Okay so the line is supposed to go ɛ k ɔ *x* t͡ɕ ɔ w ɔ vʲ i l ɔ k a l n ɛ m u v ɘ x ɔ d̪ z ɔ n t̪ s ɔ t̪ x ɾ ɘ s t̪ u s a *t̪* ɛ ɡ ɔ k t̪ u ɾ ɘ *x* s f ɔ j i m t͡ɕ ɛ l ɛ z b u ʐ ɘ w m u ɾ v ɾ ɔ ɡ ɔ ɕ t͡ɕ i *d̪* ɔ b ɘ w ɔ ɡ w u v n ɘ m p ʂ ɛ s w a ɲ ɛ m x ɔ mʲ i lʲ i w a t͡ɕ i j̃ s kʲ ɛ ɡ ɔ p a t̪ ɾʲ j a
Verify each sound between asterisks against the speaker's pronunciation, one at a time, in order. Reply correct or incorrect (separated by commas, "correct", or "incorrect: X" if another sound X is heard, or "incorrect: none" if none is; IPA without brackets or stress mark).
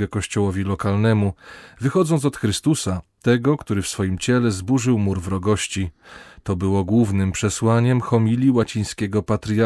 incorrect: ɕ, correct, incorrect: f, incorrect: t̪